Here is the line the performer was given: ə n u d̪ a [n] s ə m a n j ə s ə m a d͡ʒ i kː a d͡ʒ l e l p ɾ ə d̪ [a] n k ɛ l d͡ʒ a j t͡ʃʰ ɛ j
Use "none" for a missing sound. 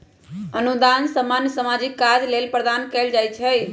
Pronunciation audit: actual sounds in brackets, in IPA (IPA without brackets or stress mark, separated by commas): n, a